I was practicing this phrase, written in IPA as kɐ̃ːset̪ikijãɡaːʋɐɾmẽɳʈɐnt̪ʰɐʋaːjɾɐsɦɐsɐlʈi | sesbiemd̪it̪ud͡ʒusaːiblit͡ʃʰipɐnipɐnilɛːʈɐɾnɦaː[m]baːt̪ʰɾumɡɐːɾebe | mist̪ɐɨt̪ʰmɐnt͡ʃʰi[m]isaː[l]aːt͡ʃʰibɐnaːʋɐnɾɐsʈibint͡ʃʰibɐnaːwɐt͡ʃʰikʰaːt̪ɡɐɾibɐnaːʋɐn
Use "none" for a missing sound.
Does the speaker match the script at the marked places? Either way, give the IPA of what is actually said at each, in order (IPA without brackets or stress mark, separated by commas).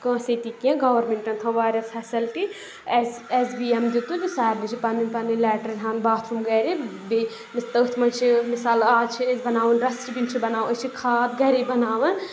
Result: n, m, l